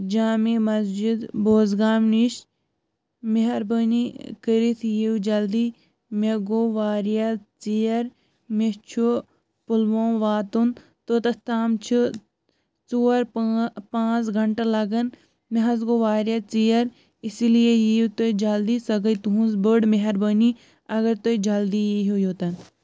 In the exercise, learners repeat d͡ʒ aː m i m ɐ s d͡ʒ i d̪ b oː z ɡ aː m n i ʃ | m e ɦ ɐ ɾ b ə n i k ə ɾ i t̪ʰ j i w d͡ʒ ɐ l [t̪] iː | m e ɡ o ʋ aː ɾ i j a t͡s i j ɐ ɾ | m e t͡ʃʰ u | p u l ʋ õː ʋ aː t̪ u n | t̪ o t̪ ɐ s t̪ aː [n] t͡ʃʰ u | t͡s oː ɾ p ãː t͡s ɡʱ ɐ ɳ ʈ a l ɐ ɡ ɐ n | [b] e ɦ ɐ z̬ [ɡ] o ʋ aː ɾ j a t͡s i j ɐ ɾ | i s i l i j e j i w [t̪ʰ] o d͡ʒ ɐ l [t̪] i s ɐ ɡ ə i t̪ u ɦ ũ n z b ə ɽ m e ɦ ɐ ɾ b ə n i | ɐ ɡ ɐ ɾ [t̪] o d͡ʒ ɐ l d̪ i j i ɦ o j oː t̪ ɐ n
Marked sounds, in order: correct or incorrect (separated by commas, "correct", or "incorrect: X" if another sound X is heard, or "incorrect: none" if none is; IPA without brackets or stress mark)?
incorrect: d̪, incorrect: m, incorrect: m, correct, incorrect: t̪, incorrect: d̪, correct